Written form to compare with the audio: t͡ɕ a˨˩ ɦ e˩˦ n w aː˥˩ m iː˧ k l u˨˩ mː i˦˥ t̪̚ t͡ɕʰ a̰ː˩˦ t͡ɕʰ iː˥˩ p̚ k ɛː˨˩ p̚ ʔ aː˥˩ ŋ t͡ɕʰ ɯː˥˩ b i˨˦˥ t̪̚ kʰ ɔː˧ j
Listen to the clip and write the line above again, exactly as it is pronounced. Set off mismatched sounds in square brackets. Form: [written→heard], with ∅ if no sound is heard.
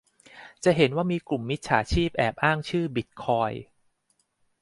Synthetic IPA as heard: t͡ɕ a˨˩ ɦ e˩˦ n w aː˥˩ m iː˧ k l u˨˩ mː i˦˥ t̪̚ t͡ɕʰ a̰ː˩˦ t͡ɕʰ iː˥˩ p̚ [k→ʔ] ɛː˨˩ p̚ ʔ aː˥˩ ŋ t͡ɕʰ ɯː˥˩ b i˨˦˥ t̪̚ kʰ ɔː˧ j